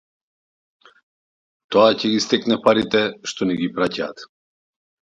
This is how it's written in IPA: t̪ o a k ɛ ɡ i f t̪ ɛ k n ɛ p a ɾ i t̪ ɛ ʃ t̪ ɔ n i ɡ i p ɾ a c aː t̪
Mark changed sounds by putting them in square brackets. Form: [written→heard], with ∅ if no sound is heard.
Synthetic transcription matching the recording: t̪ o a [k→c] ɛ ɡ i [f→s] t̪ ɛ k n ɛ p a ɾ i t̪ ɛ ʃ t̪ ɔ n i ɡ i p ɾ a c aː t̪